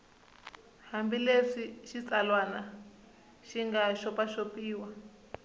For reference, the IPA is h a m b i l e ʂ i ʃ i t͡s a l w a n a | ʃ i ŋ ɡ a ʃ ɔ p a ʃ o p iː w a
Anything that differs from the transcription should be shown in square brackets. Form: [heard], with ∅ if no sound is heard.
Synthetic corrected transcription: h a m b i l e ʂ i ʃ i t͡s a l w a n a | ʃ i ŋ ɡ a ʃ ɔ p a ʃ o p iː w a